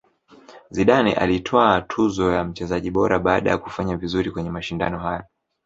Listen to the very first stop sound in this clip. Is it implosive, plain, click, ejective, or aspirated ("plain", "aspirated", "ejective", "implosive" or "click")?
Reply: implosive